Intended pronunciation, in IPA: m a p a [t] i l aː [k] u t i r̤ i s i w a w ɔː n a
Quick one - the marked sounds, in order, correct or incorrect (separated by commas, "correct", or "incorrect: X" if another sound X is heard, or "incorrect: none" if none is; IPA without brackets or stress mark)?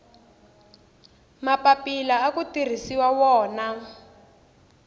incorrect: p, correct